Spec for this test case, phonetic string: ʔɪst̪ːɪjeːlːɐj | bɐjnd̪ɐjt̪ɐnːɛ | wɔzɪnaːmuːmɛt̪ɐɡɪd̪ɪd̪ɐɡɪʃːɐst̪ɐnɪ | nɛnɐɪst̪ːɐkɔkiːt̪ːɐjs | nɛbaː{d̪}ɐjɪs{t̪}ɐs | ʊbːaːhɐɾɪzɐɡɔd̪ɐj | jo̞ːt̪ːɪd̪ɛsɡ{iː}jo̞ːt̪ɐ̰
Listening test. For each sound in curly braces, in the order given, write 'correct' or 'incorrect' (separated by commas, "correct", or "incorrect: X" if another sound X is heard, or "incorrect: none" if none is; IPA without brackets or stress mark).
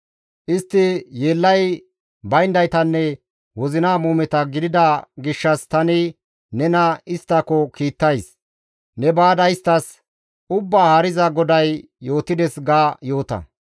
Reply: correct, correct, incorrect: aː